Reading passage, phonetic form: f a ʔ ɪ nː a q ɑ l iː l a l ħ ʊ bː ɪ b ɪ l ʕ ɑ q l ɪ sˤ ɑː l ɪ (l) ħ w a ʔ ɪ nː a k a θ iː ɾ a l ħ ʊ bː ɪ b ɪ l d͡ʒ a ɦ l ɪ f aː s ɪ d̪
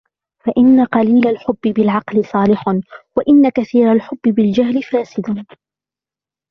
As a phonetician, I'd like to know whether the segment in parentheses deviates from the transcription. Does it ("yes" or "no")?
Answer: yes